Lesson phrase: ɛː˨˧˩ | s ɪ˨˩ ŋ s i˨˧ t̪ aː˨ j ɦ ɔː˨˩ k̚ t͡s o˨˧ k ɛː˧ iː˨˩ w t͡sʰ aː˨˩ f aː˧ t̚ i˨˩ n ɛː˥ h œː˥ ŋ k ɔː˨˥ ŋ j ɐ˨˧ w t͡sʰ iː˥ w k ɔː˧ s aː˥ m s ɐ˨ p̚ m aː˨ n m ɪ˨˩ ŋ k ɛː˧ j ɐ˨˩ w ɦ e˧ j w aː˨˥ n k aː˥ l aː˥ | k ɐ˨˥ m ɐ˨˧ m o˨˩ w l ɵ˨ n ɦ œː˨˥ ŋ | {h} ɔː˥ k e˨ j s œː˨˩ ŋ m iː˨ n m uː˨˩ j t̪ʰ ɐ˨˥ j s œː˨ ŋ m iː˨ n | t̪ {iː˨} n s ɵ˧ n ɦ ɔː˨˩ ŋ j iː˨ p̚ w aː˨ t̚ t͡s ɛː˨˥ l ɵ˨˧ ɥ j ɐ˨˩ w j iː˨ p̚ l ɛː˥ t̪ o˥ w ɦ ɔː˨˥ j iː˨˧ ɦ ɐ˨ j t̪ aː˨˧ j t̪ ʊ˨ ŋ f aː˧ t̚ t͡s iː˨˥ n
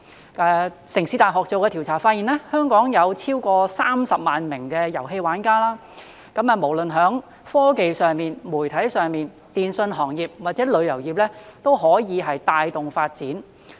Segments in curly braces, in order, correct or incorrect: incorrect: f, correct

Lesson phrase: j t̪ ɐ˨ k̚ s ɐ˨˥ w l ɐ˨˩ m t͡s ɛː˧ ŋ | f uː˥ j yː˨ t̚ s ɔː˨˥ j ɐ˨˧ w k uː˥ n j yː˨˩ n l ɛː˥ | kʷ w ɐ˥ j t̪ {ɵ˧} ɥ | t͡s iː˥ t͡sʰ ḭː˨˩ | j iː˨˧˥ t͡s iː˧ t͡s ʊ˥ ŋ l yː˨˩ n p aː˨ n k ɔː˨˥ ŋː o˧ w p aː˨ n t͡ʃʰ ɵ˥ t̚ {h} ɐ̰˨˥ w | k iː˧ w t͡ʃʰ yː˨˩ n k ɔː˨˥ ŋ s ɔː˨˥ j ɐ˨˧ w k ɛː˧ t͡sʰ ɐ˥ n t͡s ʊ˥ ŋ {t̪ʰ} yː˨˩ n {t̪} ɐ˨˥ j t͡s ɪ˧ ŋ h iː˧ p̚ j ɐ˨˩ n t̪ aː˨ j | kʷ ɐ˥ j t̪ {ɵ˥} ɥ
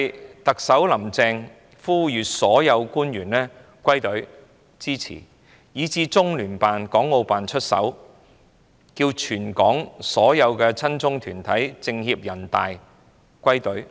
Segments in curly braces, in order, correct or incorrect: incorrect: ɵ˨˥, incorrect: s, correct, incorrect: t̪ʰ, incorrect: ɵ˨˥

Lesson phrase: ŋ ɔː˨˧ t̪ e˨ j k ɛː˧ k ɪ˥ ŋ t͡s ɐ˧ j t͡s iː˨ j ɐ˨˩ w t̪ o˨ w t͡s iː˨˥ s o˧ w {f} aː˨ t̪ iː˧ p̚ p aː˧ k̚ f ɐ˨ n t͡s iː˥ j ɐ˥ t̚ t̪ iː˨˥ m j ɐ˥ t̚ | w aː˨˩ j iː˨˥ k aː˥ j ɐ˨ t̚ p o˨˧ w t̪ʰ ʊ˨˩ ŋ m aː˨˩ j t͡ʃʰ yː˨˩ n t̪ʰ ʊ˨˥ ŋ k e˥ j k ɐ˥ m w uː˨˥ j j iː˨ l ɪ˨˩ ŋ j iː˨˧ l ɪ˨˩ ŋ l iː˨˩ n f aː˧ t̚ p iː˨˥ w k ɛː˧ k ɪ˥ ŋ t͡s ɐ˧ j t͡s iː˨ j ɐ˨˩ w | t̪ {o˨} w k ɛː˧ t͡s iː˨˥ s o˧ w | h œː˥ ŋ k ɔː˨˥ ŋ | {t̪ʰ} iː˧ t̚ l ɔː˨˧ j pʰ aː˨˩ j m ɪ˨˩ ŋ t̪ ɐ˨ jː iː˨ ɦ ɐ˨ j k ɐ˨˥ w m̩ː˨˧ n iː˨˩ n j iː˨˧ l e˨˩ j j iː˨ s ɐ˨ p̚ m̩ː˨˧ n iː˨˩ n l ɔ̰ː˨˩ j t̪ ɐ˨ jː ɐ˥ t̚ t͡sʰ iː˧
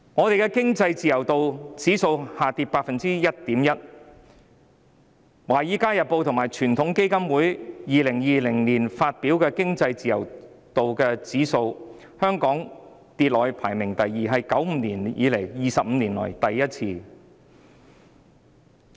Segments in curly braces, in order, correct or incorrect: incorrect: h, correct, incorrect: t̪

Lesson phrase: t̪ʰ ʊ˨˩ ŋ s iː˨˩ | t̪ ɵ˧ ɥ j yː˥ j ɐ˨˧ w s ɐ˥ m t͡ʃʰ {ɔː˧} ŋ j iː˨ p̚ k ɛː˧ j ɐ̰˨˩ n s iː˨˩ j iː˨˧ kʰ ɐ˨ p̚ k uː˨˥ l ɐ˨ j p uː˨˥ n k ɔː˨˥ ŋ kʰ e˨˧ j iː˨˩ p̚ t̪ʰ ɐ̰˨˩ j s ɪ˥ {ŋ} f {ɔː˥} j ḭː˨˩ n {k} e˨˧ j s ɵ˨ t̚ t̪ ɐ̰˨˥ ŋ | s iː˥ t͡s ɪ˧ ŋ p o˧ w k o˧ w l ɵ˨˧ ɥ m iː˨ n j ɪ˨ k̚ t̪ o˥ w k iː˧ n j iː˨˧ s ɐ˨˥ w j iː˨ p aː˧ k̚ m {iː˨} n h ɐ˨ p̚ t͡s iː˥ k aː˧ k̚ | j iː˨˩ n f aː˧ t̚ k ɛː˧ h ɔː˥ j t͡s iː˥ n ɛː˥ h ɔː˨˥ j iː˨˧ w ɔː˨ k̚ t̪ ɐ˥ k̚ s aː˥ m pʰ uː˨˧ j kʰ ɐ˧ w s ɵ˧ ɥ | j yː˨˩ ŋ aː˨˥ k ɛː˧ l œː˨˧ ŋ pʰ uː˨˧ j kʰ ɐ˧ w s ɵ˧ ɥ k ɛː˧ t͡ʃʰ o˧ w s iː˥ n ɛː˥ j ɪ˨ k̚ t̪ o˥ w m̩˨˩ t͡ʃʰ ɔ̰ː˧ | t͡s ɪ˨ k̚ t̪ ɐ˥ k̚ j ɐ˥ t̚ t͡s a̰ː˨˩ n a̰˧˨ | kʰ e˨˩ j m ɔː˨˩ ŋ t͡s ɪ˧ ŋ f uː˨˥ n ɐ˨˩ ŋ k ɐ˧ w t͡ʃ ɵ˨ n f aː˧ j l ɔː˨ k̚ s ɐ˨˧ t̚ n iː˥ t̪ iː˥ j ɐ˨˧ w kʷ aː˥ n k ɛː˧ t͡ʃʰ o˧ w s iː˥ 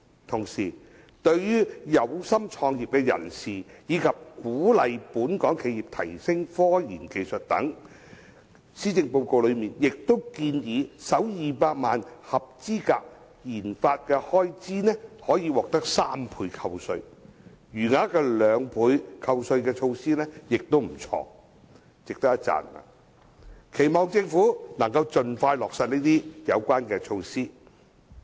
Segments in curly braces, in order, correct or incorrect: correct, correct, correct, correct, incorrect: aː˨

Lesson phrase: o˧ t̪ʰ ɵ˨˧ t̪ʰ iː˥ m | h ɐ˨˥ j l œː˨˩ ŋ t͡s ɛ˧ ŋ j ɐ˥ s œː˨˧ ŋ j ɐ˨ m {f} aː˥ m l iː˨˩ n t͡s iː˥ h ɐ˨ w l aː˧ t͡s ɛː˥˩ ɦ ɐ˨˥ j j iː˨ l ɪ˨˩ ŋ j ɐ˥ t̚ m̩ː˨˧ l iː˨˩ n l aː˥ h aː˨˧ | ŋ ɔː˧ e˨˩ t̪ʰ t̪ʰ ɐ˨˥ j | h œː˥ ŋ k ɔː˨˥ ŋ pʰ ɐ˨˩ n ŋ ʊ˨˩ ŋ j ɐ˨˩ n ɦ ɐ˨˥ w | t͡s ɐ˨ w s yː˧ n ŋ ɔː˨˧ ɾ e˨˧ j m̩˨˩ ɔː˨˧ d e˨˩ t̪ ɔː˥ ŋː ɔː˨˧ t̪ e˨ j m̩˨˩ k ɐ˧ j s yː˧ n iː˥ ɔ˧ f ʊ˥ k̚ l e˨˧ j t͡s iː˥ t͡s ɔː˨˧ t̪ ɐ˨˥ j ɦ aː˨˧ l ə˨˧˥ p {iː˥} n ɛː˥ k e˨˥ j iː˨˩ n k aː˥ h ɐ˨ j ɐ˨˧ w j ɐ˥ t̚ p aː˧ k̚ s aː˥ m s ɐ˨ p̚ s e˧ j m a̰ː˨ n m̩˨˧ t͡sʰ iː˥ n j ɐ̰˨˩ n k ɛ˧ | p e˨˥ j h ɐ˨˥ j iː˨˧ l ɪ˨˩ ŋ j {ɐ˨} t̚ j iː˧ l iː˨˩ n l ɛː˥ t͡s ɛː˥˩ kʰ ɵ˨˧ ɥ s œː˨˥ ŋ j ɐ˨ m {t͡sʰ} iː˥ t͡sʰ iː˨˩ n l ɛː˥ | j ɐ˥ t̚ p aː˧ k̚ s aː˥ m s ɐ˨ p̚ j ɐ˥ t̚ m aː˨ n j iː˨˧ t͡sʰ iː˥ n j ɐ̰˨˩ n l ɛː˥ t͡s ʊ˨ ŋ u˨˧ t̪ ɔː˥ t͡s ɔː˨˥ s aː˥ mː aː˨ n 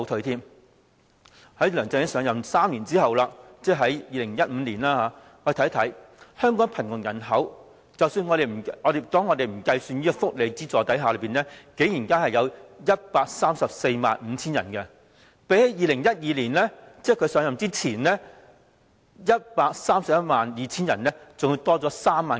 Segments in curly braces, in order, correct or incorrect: incorrect: s, incorrect: iː˨, incorrect: ɐ˥, incorrect: t͡s

